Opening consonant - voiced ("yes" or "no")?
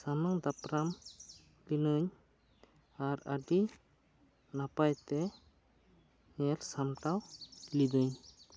no